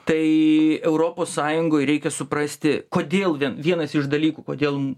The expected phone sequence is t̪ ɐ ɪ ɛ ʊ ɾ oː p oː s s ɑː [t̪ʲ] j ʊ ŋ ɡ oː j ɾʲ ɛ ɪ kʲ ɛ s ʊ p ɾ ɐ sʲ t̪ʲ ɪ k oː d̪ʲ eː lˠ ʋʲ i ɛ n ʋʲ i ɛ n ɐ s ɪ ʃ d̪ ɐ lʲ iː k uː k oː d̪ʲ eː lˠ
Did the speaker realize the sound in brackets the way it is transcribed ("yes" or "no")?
no